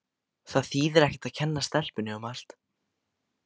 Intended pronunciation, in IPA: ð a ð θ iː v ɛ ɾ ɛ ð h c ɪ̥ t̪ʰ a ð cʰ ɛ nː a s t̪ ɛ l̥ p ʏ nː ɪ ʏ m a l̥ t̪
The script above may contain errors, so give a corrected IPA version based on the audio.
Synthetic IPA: θ a ð θ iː ð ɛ ɾ ɛ h c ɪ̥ t̪ a ð cʰ ɛ nː a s t̪ ɛ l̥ p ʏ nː ɪ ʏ m a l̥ t̪